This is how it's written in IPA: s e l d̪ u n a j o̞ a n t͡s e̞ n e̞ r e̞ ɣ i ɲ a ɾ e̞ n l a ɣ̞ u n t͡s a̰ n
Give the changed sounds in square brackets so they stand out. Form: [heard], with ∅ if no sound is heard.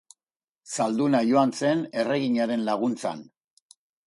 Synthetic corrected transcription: s [a] l d̪ u n a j o̞ a n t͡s e̞ n e̞ r e̞ ɣ i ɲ a ɾ e̞ n l a ɣ̞ u n t͡s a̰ n